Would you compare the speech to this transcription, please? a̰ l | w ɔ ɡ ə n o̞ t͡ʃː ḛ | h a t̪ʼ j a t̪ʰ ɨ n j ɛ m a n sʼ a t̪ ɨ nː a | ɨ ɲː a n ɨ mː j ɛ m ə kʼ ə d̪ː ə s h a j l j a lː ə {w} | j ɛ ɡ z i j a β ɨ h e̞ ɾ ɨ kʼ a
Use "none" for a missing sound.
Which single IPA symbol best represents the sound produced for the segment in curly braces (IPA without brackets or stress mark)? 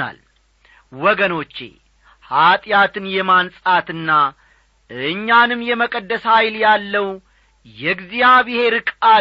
w